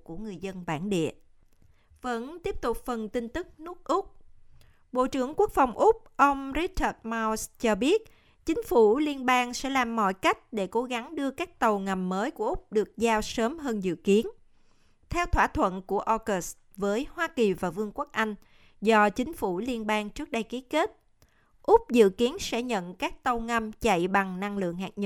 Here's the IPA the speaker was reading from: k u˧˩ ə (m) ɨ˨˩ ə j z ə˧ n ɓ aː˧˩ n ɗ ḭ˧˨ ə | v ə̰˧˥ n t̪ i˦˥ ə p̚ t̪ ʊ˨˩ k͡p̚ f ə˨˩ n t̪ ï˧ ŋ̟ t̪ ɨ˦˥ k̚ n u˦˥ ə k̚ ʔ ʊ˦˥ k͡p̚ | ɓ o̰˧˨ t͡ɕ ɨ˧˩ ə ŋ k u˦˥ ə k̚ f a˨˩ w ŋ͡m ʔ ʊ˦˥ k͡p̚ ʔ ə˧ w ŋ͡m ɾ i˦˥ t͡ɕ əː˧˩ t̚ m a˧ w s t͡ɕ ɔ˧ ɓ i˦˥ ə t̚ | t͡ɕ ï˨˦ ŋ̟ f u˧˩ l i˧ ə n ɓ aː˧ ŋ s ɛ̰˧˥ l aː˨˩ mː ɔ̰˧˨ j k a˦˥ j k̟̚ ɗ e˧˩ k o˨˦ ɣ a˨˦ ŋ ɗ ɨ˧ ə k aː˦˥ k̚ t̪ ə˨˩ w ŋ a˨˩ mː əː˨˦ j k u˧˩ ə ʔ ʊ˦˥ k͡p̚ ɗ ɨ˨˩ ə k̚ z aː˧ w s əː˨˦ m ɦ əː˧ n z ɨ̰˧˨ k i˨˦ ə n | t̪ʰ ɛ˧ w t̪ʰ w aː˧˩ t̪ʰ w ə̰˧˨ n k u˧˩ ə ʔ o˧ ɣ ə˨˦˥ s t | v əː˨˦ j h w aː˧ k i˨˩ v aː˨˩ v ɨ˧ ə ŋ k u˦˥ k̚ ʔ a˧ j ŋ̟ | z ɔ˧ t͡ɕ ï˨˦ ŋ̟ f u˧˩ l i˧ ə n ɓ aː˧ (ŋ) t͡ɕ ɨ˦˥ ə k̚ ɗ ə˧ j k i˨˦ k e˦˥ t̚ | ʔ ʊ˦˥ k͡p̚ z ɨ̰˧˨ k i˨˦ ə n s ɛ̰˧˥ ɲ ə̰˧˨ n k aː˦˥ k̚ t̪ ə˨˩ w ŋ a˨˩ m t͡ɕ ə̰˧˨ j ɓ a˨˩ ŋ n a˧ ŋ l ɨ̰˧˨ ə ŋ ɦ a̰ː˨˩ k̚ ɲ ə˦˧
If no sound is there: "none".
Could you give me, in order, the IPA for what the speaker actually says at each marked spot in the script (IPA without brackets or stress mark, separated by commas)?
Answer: ŋ, ŋ